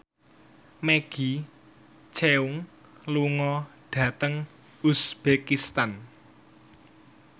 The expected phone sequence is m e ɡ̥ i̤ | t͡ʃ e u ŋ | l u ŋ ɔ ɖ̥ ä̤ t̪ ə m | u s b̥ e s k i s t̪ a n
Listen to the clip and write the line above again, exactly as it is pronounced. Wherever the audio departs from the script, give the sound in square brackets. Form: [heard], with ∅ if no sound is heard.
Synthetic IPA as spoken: m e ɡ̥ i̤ | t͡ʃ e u ŋ | l u ŋ ɔ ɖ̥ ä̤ t̪ ə [ŋ] | u s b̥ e [∅] k i s t̪ a n